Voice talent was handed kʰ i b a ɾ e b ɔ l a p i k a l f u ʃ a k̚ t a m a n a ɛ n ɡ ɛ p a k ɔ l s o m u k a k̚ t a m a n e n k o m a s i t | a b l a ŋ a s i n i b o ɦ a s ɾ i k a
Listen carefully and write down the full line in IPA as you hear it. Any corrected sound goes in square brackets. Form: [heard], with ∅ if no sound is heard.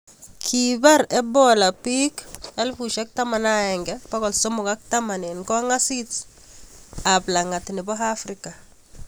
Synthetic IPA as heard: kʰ i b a ɾ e b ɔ l a p i k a l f u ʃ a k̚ t a m a n a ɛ [ŋ] ɡ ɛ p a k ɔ l s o m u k a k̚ t a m a n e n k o [ŋ] a s i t | a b l a ŋ a [t] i n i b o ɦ a [f] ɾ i k a